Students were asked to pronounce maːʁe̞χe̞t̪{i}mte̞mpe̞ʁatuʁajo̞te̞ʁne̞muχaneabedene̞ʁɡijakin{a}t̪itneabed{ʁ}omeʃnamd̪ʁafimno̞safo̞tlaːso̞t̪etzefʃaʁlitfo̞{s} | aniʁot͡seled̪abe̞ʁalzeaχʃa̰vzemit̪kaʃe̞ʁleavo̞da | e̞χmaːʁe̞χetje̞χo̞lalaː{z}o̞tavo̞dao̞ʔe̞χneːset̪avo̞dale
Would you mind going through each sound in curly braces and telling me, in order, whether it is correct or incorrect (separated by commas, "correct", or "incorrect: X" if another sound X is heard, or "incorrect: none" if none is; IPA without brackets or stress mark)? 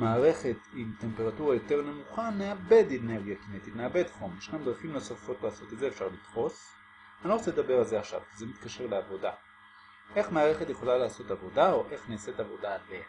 correct, incorrect: e, incorrect: χ, correct, incorrect: s